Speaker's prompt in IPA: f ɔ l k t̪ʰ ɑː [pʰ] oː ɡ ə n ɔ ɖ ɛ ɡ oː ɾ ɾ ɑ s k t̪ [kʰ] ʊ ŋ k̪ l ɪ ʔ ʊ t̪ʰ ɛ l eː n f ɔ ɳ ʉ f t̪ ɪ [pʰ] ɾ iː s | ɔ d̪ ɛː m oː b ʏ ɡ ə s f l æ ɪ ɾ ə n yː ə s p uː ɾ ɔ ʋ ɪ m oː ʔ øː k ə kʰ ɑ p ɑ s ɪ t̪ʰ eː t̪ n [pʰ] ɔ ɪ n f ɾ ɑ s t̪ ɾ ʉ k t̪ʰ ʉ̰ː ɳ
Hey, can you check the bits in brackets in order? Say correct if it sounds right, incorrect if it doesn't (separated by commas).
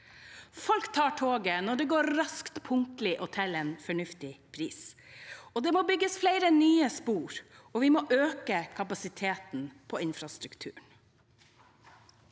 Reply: incorrect, incorrect, correct, correct